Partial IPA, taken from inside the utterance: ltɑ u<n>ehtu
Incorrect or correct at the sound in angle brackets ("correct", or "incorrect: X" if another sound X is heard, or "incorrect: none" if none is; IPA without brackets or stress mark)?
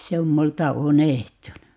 correct